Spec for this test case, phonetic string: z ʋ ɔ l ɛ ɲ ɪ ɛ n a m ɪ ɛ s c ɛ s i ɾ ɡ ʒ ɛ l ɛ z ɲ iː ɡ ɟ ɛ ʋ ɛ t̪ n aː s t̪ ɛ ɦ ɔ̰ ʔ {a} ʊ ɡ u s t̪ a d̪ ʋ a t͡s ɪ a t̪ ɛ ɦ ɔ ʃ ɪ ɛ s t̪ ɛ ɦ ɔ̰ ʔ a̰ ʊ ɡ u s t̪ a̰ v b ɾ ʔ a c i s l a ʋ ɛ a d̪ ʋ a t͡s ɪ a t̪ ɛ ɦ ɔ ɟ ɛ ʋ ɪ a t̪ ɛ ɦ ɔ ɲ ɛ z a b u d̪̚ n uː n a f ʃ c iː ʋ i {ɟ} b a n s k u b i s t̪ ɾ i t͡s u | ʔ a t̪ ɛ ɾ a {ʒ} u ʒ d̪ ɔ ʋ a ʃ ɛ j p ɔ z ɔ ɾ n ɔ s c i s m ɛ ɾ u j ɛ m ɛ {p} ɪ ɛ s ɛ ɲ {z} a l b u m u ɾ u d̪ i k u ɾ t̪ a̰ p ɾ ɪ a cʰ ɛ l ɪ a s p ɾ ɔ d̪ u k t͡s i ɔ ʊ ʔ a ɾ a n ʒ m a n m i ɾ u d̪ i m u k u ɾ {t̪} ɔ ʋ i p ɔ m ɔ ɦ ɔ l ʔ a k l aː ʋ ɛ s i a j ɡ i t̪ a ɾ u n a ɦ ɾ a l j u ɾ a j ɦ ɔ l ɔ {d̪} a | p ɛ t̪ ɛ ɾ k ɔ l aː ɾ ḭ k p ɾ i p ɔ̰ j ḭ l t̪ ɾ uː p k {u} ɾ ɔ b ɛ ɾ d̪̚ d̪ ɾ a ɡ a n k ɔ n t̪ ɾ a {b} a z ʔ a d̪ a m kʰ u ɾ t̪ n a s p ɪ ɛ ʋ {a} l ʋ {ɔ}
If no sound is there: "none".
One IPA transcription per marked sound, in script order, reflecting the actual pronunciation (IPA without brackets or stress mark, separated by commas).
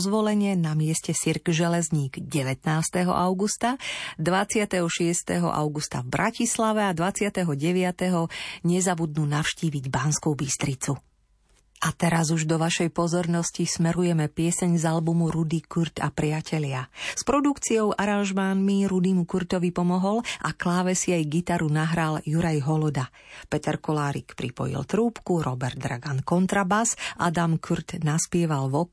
a, ɟ, z, p, z, t̪, d̪, u, b, a, ɔ